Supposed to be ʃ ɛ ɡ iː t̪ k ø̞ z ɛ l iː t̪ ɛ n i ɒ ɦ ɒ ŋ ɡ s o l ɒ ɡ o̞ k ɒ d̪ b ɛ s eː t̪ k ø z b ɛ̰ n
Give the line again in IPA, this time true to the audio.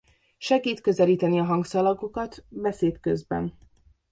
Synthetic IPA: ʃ ɛ ɡ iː t̪ k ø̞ z ɛ l iː t̪ ɛ n i ɒ ɦ ɒ ŋ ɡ s ɒ l ɒ ɡ o̞ k ɒ t̪ b ɛ s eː t̪ k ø z b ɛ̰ n

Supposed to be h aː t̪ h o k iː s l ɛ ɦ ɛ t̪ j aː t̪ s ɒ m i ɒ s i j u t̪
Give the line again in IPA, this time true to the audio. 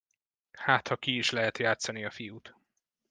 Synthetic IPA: h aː t̪ h ɒ k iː ʃ l ɛ ɦ ɛ t̪ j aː t̪ s ɒ n i ɒ f i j u t̪

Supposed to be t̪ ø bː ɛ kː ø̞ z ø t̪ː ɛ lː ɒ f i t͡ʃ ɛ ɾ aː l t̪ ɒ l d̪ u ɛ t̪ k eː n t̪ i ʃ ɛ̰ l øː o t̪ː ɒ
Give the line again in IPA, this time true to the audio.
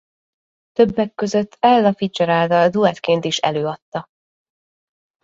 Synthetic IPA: t̪ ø bː ɛ kː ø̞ z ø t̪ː ɛ lː ɒ f i t͡ʃ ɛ ɾ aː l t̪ ɒ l d̪ u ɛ t̪ k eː n t̪ i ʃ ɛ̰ l øː ɒ t̪ː ɒ

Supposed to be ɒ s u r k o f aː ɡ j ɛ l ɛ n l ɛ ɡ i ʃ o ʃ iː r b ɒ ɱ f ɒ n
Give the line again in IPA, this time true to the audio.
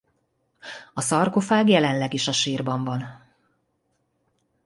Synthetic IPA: ɒ s ɒ r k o f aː ɡ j ɛ l ɛ n l ɛ ɡ i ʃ ɒ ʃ iː r b ɒ ɱ v ɒ n

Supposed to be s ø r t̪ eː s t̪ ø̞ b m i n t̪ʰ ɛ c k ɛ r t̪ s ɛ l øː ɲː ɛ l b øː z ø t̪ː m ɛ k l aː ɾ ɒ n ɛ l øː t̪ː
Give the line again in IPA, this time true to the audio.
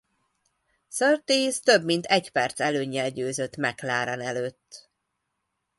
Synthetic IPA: s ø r t̪ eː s t̪ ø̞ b m i n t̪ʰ ɛ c p ɛ r t̪ s ɛ l øː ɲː ɛ l ɟ øː z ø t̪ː m ɛ k l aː ɾ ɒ n ɛ l øː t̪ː

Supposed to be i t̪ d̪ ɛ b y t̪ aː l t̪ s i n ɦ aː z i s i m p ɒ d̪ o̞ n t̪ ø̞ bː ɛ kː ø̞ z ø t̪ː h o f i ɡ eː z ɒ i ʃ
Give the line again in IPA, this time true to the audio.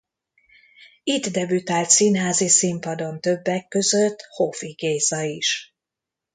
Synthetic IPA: i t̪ d̪ ɛ b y t̪ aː l t̪ s i n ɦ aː z i s i m p ɒ d̪ o̞ n t̪ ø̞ bː ɛ kː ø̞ z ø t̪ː h o f i ɡ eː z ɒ i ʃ

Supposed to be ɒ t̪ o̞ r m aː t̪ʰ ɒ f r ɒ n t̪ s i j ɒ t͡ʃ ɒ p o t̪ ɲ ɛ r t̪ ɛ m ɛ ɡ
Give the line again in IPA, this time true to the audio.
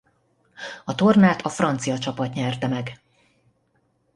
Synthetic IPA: ɒ t̪ o̞ r n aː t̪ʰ ɒ f r ɒ n t̪ s i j ɒ t͡ʃ ɒ p ɒ t̪ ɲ ɛ r t̪ ɛ m ɛ ɡ

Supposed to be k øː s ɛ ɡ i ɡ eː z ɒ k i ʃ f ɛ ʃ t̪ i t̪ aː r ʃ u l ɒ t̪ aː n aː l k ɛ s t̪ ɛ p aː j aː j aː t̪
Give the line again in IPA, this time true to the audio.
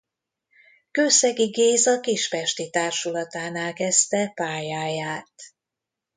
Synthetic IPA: k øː s ɛ ɡ i ɡ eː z ɒ k i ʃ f ɛ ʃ t̪ i t̪ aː r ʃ u l ɒ t̪ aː n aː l k ɛ s t̪ ɛ p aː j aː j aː t̪

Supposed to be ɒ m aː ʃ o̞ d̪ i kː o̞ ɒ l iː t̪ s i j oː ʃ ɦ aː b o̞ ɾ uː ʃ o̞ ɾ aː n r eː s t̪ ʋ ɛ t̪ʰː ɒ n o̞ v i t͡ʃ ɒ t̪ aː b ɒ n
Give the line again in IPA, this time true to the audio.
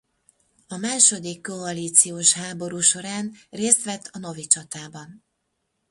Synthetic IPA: ɒ m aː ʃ o̞ d̪ i kː o̞ ɒ l iː t̪ s i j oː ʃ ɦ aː b o̞ ɾ uː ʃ o̞ ɾ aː n r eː s t̪ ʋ ɛ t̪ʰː ɒ n o̞ v i t͡ʃ ɒ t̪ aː b ɒ n

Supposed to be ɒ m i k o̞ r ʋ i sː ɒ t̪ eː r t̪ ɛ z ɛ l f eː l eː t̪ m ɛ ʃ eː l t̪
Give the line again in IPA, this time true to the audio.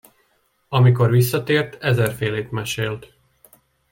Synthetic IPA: ɒ m i k o̞ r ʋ i sː ɒ t̪ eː r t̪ ɛ z ɛ r f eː l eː t̪ m ɛ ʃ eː l t̪

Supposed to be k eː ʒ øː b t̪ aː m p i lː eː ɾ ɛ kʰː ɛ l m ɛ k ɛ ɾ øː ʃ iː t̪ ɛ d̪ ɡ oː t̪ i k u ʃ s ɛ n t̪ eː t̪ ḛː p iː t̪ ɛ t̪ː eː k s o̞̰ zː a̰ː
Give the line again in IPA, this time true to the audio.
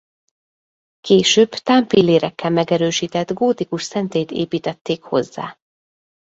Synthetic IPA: k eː ʃ øː b t̪ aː m p i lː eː ɾ ɛ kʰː ɛ l m ɛ ɡ ɛ ɾ øː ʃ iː t̪ ɛ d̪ ɡ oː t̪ i k u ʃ s ɛ n t̪ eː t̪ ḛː p iː t̪ ɛ t̪ː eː k h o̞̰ zː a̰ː

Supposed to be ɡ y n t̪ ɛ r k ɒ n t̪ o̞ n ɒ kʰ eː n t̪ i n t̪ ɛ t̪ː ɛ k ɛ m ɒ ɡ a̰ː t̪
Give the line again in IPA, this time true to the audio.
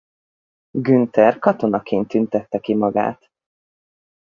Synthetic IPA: ɡ y n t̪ ɛ r k ɒ t̪ o̞ n ɒ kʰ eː n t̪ y n t̪ ɛ t̪ː ɛ k i m ɒ ɡ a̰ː t̪

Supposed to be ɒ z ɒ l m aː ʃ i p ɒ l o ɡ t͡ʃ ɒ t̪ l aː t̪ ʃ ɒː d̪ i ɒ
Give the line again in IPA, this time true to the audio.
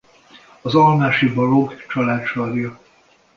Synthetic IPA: ɒ z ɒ l m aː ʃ i b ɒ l o ɡ t͡ʃ ɒ l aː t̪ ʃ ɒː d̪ j ɒ

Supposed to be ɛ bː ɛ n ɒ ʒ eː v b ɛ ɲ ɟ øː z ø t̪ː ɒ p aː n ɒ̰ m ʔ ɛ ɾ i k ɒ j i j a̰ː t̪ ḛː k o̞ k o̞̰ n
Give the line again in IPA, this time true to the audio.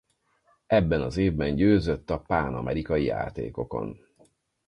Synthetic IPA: ɛ bː ɛ n ɒ z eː v b ɛ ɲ ɟ øː z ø t̪ː ɒ p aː n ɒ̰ m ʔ ɛ ɾ i k ɒ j i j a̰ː t̪ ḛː k o̞ k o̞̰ n

